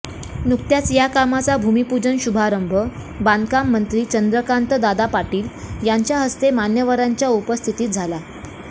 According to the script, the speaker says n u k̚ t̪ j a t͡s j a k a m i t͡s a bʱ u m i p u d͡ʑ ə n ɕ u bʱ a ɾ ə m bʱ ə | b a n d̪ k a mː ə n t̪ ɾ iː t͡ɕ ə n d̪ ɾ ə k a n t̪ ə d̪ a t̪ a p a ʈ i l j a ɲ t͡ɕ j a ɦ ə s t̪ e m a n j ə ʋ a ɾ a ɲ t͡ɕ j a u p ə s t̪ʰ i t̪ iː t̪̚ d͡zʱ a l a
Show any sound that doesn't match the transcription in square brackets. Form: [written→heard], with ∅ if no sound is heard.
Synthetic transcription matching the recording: n u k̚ t̪ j a t͡s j a k a m [i→a] t͡s a bʱ u m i p u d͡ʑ ə n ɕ u bʱ a ɾ ə m bʱ ə | b a n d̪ k a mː ə n t̪ ɾ iː t͡ɕ ə n d̪ ɾ ə k a n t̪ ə d̪ a [t̪→d̪] a p a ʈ [i→iː] l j a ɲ t͡ɕ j a ɦ ə s t̪ e m a n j ə ʋ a ɾ a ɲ t͡ɕ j a u p ə s t̪ʰ i t̪ iː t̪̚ d͡zʱ a l a